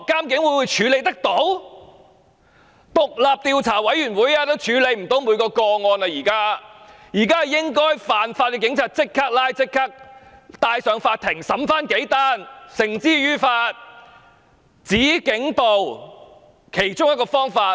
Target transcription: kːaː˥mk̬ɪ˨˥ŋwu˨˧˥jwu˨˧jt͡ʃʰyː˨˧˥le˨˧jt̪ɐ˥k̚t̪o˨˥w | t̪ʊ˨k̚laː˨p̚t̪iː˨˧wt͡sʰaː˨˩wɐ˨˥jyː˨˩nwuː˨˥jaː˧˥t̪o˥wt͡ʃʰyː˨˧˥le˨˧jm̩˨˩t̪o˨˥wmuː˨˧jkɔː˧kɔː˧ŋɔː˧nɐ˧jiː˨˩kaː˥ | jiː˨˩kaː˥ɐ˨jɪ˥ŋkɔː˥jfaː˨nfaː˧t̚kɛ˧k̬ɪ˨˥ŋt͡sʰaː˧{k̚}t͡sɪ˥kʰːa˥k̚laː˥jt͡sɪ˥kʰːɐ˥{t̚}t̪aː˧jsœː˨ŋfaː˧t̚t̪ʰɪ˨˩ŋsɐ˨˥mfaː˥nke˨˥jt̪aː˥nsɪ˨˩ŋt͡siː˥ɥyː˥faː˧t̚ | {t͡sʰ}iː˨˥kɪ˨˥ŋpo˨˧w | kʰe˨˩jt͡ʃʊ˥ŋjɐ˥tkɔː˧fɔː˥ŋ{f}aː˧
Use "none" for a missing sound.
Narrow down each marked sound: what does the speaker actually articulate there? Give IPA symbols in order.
t̚, k̚, t͡s, f

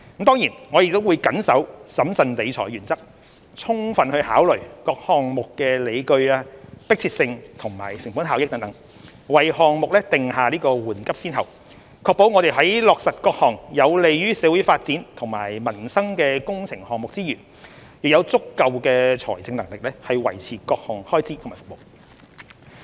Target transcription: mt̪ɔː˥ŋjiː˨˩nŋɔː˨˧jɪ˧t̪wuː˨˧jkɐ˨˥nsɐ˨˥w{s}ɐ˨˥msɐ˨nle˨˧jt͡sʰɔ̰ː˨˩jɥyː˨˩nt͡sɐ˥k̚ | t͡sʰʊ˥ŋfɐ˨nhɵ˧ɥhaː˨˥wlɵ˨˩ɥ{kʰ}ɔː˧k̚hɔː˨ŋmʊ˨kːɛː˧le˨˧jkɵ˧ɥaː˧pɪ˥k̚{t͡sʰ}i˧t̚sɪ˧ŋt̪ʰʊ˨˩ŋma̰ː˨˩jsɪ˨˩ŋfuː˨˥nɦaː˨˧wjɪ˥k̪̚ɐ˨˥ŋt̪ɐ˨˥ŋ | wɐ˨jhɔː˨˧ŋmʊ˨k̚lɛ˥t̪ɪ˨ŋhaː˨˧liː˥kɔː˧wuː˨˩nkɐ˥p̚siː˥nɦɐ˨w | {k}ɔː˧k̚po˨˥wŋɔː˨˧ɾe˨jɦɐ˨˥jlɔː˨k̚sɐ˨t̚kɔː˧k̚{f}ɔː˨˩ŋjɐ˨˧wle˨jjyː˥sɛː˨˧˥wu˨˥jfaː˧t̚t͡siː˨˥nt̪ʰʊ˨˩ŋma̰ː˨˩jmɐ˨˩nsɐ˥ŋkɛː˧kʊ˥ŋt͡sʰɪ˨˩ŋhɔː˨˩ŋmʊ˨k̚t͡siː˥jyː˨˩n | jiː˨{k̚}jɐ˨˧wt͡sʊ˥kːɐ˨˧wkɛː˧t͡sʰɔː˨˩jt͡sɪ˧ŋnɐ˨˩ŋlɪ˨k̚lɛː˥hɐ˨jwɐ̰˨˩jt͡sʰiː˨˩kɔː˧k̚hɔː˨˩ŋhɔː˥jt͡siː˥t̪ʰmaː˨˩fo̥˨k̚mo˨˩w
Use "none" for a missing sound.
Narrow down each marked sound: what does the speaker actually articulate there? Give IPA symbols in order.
s, k, t͡sʰ, kʰ, h, k̚

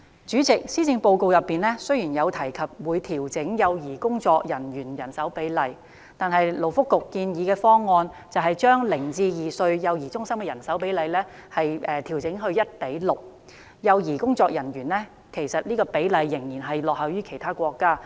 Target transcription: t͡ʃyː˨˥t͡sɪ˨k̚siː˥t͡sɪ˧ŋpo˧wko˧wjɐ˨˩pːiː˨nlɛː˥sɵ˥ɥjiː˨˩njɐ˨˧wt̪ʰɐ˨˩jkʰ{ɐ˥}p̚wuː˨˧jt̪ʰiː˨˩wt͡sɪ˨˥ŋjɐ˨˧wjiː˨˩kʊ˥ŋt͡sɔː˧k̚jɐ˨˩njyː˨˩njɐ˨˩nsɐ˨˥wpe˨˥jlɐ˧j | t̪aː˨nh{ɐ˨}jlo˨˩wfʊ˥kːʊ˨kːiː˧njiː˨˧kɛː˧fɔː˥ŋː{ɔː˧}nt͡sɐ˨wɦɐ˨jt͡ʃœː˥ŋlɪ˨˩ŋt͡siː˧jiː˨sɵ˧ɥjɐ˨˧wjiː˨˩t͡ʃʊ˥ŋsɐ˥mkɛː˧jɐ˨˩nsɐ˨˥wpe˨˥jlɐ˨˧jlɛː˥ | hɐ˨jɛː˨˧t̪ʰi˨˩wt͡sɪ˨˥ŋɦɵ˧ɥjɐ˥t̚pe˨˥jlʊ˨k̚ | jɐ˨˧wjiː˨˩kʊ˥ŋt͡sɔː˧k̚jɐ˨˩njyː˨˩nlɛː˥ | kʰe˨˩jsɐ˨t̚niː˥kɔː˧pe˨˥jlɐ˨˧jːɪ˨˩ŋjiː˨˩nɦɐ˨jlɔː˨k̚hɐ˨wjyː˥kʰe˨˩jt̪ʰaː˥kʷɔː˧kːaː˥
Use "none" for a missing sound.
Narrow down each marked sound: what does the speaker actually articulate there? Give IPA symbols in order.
ɐ˨, ɐ˨, ɔː˧

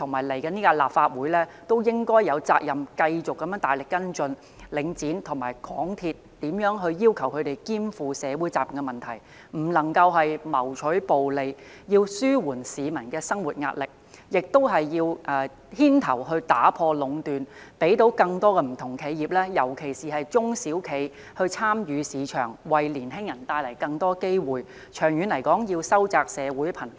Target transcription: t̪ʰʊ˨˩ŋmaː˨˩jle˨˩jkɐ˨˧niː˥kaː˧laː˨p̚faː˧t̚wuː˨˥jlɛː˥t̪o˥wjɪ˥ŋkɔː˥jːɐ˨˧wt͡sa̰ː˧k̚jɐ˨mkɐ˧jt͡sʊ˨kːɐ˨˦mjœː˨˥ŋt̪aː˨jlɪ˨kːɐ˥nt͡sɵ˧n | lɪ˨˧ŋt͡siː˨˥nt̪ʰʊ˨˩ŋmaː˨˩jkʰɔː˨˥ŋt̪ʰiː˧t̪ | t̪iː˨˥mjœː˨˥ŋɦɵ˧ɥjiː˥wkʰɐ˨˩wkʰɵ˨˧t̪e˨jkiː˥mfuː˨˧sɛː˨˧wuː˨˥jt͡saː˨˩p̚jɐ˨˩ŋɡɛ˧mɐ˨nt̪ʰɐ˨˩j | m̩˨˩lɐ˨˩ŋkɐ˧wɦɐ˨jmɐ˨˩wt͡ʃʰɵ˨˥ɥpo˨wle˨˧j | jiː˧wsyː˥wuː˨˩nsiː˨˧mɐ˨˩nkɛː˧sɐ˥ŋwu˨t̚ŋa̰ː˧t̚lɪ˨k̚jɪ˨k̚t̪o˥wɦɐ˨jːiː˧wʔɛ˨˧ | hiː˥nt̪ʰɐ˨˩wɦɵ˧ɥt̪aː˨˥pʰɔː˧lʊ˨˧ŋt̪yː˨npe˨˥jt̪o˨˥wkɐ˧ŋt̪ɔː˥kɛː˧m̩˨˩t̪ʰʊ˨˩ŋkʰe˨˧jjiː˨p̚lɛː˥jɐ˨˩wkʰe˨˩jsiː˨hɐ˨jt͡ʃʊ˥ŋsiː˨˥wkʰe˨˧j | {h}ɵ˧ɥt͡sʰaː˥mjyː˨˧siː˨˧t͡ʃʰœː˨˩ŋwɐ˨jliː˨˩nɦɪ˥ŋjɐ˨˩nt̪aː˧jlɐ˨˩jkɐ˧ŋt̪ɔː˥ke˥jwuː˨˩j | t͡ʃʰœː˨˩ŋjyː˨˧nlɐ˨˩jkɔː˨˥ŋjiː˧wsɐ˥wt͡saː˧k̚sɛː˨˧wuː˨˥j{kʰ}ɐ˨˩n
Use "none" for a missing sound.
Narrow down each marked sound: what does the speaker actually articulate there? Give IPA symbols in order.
h, pʰ

